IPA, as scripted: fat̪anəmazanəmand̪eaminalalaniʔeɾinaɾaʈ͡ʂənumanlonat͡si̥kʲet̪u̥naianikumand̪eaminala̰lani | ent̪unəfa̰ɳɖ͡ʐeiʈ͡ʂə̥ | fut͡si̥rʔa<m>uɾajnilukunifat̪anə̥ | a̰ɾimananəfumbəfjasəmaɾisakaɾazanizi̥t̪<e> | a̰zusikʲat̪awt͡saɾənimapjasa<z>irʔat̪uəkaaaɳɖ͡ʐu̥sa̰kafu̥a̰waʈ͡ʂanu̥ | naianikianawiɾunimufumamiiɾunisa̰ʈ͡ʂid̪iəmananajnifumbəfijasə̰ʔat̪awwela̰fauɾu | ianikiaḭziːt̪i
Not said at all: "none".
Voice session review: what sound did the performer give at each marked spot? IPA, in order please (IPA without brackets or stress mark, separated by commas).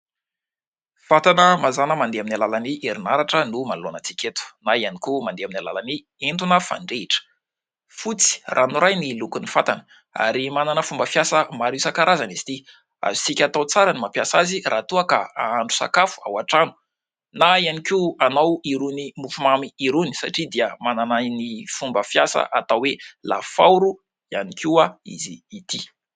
n, i, z